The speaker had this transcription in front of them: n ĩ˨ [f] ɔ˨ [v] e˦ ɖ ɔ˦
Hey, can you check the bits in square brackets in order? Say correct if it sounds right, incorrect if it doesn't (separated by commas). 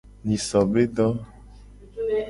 incorrect, incorrect